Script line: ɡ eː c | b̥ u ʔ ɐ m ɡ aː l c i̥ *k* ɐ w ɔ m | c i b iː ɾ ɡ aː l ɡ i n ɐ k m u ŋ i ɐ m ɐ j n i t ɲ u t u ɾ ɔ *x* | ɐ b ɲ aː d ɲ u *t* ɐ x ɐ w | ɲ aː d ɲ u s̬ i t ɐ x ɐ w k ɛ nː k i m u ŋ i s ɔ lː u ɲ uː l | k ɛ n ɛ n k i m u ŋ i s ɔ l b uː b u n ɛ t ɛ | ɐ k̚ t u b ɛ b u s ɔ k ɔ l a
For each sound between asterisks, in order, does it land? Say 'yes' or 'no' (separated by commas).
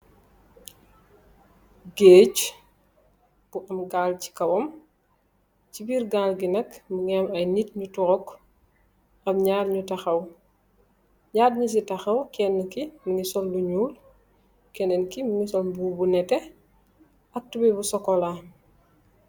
yes, no, yes